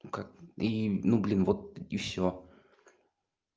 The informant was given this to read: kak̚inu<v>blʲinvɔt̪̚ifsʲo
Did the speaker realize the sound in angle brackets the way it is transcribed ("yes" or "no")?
no